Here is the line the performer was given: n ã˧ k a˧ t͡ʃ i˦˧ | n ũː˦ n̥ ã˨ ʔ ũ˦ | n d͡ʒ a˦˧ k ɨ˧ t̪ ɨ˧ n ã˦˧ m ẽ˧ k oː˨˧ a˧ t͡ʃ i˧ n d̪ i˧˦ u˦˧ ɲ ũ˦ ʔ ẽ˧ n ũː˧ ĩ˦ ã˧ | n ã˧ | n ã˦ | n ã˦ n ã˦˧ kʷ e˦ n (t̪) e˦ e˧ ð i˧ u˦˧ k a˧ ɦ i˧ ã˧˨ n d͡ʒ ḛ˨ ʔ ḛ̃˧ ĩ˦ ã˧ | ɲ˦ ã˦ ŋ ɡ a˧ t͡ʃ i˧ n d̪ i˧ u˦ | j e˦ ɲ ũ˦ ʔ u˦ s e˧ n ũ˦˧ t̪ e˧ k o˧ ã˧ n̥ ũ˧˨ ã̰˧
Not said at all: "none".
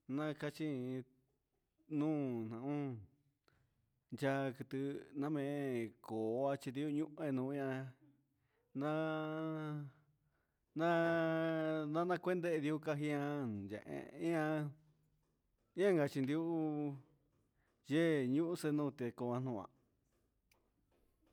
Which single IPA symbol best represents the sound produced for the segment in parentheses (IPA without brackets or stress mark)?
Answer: d̪